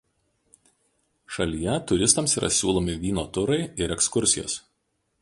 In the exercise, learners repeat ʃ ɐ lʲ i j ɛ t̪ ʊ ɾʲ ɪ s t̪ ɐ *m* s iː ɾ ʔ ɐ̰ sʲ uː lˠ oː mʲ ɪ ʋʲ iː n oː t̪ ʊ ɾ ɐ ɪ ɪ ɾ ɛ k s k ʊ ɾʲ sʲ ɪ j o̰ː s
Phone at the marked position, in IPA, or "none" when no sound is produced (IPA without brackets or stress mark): m